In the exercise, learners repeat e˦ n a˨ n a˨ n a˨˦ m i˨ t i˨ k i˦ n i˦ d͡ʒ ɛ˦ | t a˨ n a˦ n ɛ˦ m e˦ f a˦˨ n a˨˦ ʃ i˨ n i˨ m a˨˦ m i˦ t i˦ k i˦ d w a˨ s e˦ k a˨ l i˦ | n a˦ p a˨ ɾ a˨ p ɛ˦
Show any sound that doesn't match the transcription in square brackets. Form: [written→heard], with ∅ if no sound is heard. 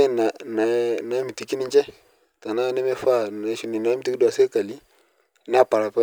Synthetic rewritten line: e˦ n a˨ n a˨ n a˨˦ m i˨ t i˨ k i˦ n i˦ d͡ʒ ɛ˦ | t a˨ n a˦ n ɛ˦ m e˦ f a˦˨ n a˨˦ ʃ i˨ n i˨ [m→n] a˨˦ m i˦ t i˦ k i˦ d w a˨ s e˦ k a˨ l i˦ | n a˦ p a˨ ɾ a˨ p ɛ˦